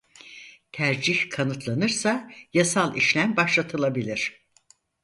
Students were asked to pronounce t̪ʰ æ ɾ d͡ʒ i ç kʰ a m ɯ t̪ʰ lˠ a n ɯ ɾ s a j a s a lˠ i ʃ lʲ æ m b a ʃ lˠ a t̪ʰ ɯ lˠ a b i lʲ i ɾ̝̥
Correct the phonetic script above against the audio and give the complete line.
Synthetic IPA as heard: t̪ʰ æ ɾ d͡ʒ i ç kʰ a n ɯ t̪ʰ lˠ a n ɯ ɾ s a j a s a lˠ i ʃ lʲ æ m b a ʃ lˠ a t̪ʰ ɯ lˠ a b i lʲ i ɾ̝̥